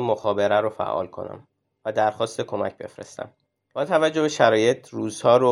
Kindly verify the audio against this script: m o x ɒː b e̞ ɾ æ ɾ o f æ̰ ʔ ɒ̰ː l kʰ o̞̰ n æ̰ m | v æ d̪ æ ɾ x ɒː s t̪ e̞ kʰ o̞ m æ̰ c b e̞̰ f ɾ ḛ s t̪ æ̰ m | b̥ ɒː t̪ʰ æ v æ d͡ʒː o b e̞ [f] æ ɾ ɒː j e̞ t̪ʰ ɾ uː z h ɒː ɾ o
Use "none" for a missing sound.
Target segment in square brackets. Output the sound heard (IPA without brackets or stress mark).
ʃ